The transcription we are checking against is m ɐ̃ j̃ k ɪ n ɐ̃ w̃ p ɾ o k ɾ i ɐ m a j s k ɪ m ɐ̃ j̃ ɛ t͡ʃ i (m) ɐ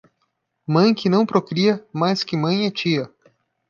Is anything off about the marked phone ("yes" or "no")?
yes